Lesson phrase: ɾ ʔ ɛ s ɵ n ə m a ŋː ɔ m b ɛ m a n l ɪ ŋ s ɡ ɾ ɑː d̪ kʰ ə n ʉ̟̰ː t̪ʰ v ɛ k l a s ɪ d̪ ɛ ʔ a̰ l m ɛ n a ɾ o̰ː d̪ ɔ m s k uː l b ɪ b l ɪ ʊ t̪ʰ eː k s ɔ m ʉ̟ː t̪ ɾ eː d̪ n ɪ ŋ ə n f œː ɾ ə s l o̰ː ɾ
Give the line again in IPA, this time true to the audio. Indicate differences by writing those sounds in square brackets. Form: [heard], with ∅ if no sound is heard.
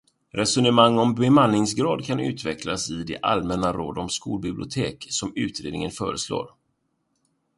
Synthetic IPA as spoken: ɾ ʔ ɛ s ɵ n ə m a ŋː ɔ m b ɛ m a n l ɪ ŋ s ɡ ɾ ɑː d̪ kʰ [a] n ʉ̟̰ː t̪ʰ v ɛ k l a s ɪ d̪ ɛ ʔ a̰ l m ɛ n a ɾ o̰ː d̪ ɔ m s k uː l b ɪ b l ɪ ʊ t̪ʰ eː k s ɔ m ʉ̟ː t̪ ɾ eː d̪ n ɪ ŋ ə n f œː ɾ ə s l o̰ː ɾ

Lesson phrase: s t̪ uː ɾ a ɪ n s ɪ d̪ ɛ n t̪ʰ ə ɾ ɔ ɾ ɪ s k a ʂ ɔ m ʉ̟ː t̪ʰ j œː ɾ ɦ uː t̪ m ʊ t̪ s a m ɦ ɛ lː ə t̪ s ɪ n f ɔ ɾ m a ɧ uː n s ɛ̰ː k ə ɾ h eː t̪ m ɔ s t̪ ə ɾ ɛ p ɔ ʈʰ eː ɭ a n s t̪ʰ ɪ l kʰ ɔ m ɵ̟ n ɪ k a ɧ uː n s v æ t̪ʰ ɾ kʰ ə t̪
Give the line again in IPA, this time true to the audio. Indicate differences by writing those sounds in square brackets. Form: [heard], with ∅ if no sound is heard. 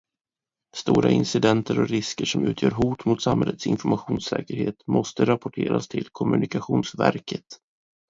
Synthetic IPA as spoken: s t̪ uː ɾ a ɪ n s ɪ d̪ ɛ n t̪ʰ ə ɾ ɔ ɾ ɪ s k [ə] ʂ ɔ m ʉ̟ː t̪ʰ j œː ɾ ɦ uː t̪ m ʊ t̪ s a m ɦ ɛ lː ə t̪ s ɪ n f ɔ ɾ m a ɧ uː n s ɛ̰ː k ə ɾ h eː t̪ m ɔ s t̪ ə ɾ [a] p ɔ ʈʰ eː [ɾ] a [∅] s t̪ʰ ɪ l kʰ ɔ m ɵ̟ n ɪ k a ɧ uː n s v æ [∅] ɾ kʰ ə t̪

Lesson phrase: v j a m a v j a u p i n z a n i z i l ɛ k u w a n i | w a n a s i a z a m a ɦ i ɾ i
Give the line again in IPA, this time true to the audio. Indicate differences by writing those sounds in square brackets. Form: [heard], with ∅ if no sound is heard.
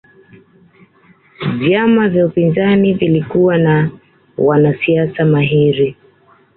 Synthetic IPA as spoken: v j a m a v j a u p i n z a n i [v] i l [i] k u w a n [a] | w a n a s i a [s] a m a ɦ i ɾ i

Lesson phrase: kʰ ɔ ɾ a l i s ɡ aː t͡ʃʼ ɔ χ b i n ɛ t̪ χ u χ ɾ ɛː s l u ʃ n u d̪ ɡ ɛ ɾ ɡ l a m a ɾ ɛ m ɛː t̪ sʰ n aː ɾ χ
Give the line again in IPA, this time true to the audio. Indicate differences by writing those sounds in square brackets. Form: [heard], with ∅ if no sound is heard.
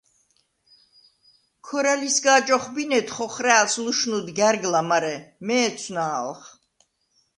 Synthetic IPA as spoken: kʰ ɔ ɾ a l i s ɡ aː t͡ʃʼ ɔ χ b i n ɛ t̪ χ [ɔ] χ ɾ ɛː s l u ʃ n u d̪ ɡ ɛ ɾ ɡ l a m a ɾ ɛ m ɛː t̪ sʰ n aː [l] χ

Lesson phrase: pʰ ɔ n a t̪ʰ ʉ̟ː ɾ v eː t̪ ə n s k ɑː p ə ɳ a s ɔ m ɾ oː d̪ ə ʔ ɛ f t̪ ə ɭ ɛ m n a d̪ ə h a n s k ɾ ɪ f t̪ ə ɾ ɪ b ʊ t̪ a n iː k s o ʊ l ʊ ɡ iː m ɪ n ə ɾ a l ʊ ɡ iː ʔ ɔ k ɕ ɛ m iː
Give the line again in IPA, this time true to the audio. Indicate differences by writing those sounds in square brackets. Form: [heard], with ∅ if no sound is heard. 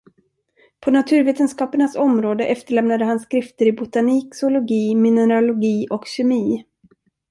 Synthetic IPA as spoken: pʰ ɔ n a t̪ʰ ʉ̟ː ɾ v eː t̪ ə n s k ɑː p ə ɳ a s ɔ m ɾ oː d̪ ə ʔ ɛ f t̪ ə ɭ ɛ m n a d̪ ə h a n s k ɾ ɪ f t̪ ə ɾ ɪ b ʊ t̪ a n iː k s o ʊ l ʊ ɡ iː m ɪ n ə ɾ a l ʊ ɡ iː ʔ ɔ k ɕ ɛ m iː

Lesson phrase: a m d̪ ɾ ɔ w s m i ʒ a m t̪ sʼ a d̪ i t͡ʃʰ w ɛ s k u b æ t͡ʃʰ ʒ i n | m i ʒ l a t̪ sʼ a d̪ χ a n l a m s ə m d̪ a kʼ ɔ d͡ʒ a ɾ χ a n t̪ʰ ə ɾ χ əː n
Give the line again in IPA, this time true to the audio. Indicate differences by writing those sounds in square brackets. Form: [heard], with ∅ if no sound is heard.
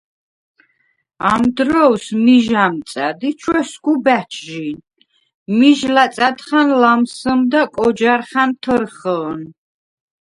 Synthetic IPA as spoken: a m d̪ ɾ ɔ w s m i ʒ a m t̪ sʼ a d̪ i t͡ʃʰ w ɛ s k u b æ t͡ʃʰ ʒ i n | m i ʒ l a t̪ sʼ a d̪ χ a n l a m s ə m d̪ a kʼ ɔ d͡ʒ a ɾ χ a n t̪ʰ ə ɾ χ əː n

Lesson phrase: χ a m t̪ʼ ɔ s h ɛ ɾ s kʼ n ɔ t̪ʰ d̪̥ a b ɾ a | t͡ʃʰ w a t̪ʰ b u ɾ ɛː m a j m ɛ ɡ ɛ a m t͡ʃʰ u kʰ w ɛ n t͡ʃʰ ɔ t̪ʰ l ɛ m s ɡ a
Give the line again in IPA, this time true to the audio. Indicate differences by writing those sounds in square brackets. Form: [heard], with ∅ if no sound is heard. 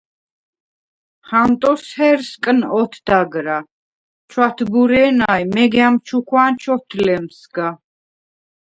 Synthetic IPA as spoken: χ a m t̪ʼ ɔ s h ɛ ɾ s kʼ n ɔ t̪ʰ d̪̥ a [ɡ] ɾ a | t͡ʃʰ w a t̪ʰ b u ɾ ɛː [n] a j m ɛ ɡ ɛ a m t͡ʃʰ u kʰ w [a] n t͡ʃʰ ɔ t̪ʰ l ɛ m s ɡ a

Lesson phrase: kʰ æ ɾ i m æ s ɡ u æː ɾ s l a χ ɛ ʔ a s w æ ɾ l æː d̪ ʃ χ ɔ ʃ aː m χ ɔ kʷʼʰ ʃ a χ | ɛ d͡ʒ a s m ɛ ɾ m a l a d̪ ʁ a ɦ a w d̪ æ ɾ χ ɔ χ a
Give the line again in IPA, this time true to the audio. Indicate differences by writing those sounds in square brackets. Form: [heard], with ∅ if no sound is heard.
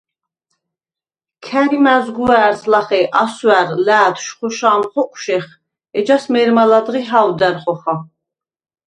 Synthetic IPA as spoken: kʰ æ ɾ i m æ [z] ɡ u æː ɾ s l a χ ɛ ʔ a s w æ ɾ l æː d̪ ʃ χ ɔ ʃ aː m χ ɔ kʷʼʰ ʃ [ɛ] χ | ɛ d͡ʒ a s m ɛ ɾ m a l a d̪ ʁ [i] ɦ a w d̪ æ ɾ χ ɔ χ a

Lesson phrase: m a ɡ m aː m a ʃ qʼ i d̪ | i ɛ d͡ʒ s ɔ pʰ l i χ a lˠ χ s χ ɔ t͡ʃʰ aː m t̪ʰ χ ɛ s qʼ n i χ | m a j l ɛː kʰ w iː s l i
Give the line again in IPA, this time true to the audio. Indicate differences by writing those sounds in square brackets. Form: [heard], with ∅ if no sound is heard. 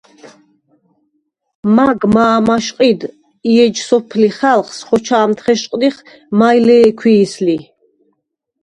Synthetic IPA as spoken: m a ɡ m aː m a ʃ qʼ i d̪ | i ɛ d͡ʒ s ɔ pʰ l i χ a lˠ χ s χ ɔ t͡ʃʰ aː m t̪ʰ χ ɛ [ʃ] qʼ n i χ | m a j l ɛː kʰ w iː s l i

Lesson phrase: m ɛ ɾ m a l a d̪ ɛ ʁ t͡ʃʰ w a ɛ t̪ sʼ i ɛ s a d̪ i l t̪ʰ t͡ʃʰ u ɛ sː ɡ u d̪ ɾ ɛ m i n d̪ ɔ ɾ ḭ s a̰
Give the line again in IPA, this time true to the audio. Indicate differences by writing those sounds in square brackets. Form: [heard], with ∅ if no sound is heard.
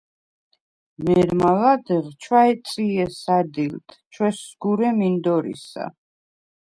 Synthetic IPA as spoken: m ɛ ɾ m a l a d̪ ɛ ʁ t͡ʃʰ w a ɛ t̪ sʼ i ɛ s a d̪ i l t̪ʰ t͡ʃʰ [w] ɛ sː ɡ u [∅] ɾ ɛ m i n d̪ ɔ ɾ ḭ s a̰

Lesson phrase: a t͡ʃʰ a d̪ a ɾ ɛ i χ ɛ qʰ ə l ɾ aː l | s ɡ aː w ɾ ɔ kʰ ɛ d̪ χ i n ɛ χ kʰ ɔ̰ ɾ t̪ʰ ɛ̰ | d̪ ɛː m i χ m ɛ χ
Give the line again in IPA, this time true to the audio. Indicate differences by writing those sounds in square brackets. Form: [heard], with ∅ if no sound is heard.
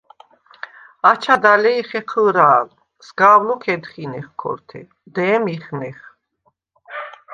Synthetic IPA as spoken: a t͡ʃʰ a d̪ a [l] ɛ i χ ɛ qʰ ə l ɾ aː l | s ɡ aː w [l] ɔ kʰ ɛ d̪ χ i n ɛ χ kʰ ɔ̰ ɾ t̪ʰ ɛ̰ | d̪ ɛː m i χ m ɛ χ

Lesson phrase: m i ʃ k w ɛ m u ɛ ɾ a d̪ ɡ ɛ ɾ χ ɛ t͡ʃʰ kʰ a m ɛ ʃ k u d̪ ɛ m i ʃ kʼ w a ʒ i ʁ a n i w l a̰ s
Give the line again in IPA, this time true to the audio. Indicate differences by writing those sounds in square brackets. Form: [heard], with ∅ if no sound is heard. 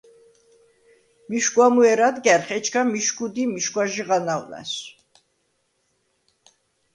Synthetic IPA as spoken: m i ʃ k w [a] m u ɛ ɾ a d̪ ɡ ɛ ɾ χ ɛ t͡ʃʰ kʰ a m [i] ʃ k u d̪ [i] m i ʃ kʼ w a ʒ i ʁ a n [a] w l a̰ s

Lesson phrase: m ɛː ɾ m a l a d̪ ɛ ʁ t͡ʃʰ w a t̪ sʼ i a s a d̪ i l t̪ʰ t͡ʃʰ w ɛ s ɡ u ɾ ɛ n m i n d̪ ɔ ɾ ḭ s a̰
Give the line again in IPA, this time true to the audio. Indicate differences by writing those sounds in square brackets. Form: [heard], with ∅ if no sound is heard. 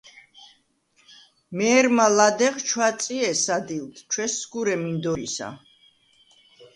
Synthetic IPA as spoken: m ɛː ɾ m a l a d̪ ɛ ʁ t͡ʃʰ w a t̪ sʼ i [ɛ] s a d̪ i l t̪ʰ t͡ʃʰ w ɛ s ɡ u ɾ ɛ [∅] m i n d̪ ɔ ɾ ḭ s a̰

